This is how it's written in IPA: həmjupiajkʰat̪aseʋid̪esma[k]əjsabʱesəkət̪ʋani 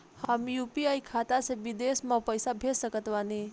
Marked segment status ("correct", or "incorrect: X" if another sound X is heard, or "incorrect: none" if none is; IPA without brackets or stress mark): incorrect: p